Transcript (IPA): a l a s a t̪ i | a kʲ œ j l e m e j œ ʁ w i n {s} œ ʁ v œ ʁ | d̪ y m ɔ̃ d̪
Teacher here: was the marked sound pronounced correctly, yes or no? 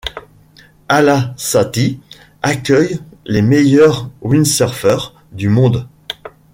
yes